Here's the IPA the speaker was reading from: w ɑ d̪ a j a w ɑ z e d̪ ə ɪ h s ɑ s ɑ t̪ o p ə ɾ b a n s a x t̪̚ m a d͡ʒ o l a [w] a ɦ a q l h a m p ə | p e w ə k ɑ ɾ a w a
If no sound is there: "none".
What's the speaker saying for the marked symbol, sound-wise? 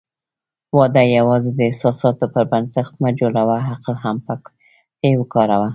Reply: w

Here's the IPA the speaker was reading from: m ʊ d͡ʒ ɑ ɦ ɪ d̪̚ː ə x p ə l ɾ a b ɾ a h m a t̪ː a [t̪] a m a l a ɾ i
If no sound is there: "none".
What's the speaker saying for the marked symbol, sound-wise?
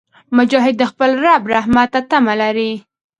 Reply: t̪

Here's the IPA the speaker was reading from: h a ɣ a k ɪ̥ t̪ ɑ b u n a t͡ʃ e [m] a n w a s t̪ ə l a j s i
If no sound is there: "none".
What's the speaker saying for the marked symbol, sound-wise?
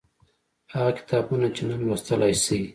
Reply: n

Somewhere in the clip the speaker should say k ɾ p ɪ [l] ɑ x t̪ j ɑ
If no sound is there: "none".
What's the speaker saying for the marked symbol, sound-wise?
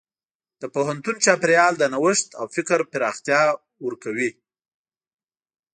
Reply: ɾ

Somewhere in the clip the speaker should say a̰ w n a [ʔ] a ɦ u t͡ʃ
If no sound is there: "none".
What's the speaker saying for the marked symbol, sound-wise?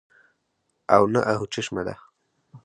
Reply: ʔ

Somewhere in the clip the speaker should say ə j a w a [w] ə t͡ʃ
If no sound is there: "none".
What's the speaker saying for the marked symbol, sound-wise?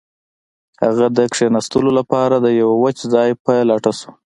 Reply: w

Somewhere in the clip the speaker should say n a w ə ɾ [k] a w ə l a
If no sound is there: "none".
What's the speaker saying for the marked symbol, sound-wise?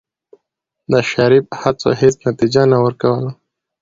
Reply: k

